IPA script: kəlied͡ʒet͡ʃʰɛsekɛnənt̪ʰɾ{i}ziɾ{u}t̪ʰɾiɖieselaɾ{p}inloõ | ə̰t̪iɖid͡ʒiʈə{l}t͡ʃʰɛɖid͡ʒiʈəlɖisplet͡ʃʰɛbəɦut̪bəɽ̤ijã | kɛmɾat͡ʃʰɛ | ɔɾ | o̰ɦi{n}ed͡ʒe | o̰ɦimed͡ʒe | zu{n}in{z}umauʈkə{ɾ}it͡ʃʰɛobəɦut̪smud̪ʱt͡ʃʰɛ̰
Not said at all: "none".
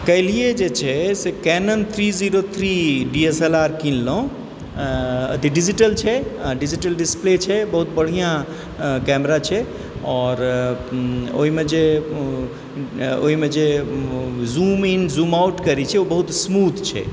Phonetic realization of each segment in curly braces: i, o, k, l, m, m, z, ɾ

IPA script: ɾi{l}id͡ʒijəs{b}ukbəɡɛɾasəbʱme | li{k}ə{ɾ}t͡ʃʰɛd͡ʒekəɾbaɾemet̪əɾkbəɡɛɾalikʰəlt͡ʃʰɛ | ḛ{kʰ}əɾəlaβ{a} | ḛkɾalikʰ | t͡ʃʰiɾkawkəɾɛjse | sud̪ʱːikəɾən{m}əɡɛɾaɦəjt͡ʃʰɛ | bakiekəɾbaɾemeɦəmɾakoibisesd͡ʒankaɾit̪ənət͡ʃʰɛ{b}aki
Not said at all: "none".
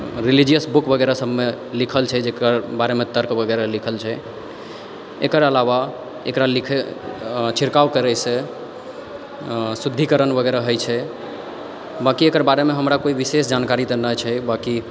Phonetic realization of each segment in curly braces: l, b, kʰ, l, k, a, b, b

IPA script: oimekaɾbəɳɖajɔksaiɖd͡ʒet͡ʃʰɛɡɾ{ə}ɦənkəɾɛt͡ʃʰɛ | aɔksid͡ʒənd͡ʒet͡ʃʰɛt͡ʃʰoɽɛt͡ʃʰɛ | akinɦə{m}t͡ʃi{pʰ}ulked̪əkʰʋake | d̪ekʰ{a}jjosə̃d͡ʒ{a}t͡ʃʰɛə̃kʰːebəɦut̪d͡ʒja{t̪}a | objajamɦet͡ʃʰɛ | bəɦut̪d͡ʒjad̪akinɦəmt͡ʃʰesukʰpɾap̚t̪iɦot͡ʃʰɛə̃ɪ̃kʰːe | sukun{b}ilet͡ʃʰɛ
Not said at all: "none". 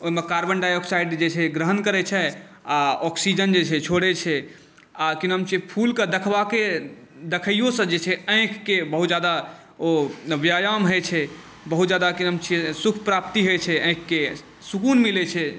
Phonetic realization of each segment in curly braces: ə, m, pʰ, ə, e, d̪, m

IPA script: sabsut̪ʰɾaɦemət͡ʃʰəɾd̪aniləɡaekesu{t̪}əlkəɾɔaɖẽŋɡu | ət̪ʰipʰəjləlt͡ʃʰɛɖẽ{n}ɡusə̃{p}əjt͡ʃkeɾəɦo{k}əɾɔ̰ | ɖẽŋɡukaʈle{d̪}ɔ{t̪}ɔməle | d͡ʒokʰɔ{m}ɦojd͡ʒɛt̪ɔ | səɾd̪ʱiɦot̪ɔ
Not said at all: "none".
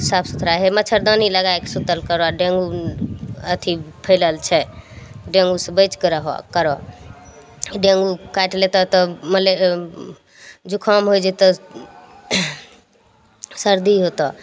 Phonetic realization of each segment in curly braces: t̪, ŋ, b, k, t̪, t̪, m

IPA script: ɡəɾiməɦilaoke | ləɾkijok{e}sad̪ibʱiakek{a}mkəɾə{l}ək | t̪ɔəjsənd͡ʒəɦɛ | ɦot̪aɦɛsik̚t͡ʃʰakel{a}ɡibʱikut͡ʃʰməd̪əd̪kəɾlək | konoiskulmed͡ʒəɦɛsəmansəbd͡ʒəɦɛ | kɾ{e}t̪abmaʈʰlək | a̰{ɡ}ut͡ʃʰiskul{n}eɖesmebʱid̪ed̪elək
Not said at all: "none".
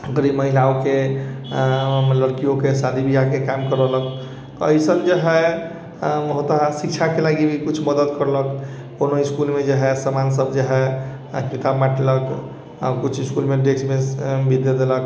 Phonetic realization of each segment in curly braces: e, a, l, a, i, k, m

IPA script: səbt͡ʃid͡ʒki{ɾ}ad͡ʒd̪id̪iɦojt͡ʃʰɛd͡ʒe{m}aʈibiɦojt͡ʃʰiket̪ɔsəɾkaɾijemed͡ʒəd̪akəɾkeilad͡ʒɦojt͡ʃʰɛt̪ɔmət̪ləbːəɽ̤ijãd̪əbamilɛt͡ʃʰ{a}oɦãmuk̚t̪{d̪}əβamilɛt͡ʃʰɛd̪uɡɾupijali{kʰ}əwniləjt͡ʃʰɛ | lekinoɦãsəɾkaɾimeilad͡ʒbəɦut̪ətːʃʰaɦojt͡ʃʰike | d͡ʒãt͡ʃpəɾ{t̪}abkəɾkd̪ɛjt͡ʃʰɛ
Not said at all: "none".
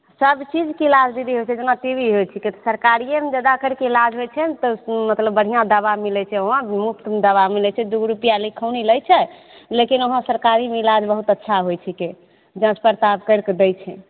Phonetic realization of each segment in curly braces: l, n, ɛ, d̪, kʰ, t̪

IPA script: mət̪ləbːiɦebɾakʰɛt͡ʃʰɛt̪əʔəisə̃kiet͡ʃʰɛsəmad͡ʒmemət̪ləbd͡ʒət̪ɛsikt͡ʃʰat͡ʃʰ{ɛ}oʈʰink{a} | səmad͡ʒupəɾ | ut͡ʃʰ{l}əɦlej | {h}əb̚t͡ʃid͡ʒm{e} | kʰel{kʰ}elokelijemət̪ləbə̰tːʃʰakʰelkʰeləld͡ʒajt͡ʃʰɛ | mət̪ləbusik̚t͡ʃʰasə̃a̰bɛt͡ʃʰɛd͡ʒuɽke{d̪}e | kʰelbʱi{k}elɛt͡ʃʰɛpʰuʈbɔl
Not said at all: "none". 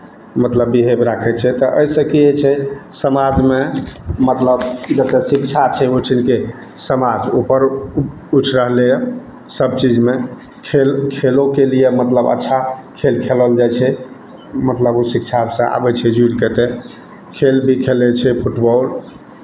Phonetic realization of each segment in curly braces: ɛ, e, ɾ, s, e, kʰ, t̪, kʰ

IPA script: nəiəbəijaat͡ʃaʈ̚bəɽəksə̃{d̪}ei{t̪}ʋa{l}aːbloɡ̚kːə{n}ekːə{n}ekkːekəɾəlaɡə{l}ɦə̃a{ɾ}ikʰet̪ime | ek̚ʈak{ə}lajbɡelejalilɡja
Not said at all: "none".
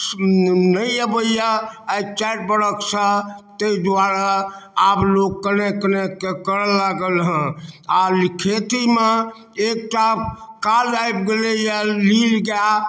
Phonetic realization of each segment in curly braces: t̪, d̪, ɾ, n, n, l, l, a

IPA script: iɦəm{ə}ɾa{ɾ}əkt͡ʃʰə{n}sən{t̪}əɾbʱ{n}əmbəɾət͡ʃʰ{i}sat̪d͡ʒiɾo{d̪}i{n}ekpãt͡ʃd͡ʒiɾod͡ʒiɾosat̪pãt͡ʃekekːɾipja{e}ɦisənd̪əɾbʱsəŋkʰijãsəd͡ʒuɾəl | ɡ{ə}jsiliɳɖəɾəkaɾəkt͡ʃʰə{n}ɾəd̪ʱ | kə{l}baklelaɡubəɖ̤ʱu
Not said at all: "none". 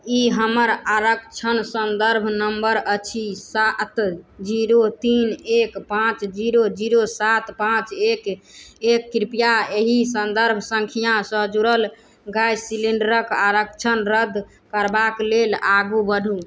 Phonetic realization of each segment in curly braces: ə, ɾ, n, d̪, n, i, t̪, n, e, a, n, ɾ

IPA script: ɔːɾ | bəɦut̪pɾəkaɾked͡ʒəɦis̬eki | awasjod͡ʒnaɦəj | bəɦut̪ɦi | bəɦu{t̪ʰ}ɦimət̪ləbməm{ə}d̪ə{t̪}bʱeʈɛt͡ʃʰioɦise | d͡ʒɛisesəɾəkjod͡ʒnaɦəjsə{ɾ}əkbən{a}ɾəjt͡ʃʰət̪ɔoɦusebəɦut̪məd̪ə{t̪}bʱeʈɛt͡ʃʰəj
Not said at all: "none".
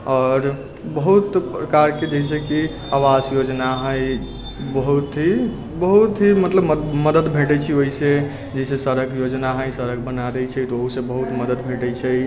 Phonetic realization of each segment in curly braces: t̪, ə, d̪, ɾ, a, d̪

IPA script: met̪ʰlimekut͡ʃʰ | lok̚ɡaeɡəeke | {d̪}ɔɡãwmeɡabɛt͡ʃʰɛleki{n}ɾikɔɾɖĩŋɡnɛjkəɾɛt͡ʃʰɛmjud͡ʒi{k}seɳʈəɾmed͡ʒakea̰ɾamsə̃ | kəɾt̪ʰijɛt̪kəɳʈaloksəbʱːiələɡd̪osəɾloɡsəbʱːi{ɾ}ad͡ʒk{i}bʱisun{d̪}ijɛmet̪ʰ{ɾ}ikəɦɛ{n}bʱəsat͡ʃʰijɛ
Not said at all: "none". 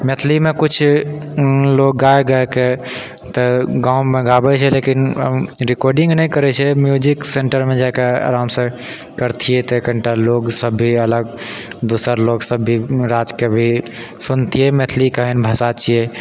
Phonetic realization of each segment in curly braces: t̪, n, k, ɾ, e, t̪, l, n

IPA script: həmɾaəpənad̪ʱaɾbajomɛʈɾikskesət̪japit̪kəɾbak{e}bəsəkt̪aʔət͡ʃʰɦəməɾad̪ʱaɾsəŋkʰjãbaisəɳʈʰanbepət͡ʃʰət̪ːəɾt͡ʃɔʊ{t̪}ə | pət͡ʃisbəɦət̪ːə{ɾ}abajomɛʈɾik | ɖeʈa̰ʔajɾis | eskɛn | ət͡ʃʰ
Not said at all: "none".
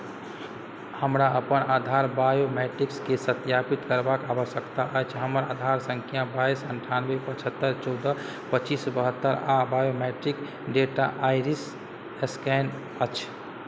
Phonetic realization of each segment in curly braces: a, d̪, ɾ

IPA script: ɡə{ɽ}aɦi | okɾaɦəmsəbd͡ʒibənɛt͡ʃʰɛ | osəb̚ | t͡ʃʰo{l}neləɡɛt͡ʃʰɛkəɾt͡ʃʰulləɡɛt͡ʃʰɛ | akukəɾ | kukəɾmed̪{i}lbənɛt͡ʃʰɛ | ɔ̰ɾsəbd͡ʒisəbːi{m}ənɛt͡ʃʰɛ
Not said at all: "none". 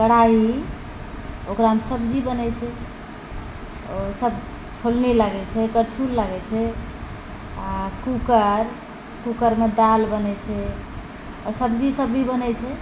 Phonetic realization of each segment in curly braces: ɽ, l, a, b

